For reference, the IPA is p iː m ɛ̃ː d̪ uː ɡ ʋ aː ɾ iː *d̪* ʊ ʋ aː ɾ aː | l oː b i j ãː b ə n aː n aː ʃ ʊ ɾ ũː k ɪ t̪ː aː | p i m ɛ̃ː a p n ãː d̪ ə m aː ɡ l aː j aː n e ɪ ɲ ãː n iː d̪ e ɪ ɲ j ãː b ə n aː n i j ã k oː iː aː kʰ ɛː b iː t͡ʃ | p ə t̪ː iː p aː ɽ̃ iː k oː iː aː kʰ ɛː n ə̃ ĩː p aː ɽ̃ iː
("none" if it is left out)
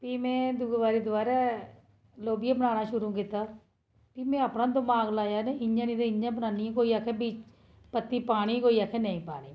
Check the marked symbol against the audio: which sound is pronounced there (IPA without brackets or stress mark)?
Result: d̪